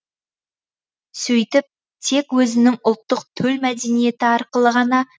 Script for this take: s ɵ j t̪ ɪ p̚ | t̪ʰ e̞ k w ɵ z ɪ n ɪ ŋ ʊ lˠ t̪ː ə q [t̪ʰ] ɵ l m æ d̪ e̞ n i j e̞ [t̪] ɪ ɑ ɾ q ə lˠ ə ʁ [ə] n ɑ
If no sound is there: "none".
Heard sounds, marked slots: t̪ʰ, t̪, ɑ

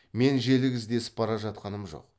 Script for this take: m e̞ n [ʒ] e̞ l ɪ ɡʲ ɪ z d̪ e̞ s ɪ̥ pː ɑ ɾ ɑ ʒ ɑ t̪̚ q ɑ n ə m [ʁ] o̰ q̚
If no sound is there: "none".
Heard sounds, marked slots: ʒ, ʒ

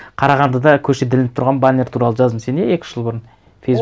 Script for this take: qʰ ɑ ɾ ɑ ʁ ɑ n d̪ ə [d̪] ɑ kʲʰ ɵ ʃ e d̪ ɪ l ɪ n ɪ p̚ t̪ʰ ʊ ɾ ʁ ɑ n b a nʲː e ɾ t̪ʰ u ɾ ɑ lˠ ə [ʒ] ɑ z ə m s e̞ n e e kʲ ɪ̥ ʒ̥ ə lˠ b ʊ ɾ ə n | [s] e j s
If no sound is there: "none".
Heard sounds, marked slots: d̪, ʒ, f

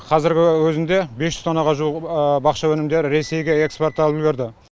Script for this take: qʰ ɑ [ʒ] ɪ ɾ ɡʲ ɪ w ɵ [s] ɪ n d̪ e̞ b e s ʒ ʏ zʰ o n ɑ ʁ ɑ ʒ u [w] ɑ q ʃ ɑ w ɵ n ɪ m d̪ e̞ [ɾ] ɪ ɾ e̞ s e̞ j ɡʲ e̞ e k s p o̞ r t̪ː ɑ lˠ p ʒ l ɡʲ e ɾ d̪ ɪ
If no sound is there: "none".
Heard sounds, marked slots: z, z, b, ɾ

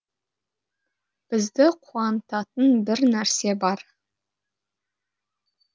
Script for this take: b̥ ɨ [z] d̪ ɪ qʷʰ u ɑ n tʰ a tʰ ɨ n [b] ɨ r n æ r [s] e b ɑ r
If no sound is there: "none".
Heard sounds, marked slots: z, b, s

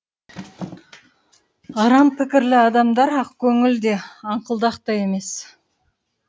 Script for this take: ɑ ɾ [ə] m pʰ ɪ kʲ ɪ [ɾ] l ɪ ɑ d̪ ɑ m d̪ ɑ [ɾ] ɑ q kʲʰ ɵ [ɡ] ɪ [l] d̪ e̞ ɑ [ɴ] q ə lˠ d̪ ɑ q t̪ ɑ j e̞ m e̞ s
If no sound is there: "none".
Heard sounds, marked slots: ɑ, ɾ, ɾ, ŋ, l, ɴ

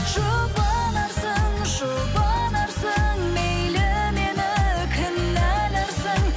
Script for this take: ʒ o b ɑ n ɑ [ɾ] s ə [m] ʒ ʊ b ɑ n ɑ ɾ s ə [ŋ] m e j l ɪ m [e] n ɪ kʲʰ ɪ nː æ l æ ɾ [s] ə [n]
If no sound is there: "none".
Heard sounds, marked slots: ɾ, ŋ, ŋ, e, s, ŋ

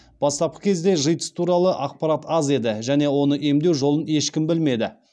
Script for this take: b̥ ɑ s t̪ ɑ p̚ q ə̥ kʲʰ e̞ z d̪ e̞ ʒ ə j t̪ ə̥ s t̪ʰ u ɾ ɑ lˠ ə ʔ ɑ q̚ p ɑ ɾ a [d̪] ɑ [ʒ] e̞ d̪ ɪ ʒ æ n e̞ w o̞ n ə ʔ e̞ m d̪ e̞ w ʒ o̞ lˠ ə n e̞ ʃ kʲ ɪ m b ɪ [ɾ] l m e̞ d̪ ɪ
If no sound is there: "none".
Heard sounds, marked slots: t̪, z, none

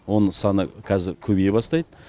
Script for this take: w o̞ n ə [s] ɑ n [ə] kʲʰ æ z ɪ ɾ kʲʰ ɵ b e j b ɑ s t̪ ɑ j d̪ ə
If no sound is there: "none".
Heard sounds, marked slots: s, ə

